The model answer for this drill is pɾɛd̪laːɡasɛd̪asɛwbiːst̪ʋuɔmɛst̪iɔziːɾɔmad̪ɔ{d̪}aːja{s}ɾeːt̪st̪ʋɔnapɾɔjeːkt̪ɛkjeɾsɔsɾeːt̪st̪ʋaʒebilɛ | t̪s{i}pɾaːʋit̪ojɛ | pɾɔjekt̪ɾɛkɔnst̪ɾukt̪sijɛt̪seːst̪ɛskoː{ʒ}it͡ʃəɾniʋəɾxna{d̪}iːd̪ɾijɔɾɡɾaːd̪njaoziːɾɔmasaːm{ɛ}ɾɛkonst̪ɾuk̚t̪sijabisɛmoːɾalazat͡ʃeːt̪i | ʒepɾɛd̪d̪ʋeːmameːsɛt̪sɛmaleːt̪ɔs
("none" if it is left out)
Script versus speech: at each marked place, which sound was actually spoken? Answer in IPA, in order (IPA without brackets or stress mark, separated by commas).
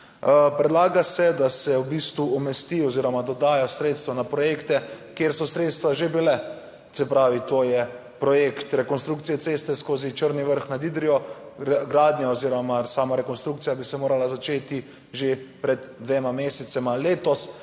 d̪, s, ɛ, z, d̪, a